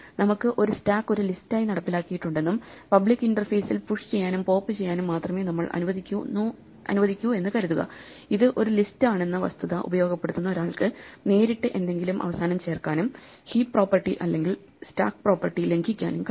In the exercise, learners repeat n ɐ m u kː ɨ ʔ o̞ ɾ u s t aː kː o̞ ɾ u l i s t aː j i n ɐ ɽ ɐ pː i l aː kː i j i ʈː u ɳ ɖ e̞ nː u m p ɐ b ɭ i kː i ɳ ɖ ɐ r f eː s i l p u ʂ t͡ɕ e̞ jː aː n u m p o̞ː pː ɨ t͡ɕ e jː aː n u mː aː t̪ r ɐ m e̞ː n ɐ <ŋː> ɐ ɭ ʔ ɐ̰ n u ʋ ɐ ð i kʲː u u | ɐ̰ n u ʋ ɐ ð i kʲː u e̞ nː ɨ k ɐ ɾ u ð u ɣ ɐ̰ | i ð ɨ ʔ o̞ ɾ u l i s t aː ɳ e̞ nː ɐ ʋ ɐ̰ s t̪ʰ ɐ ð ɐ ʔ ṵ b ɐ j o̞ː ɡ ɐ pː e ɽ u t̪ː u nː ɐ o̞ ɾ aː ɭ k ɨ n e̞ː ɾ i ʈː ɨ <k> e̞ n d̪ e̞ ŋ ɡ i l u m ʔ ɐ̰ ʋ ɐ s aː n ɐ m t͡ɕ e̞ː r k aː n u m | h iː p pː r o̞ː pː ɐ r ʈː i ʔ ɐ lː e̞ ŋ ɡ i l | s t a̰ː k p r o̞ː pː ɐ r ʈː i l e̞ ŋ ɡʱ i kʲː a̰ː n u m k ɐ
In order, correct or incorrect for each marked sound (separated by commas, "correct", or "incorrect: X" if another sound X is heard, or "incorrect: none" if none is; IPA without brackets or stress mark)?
incorrect: mː, incorrect: ʔ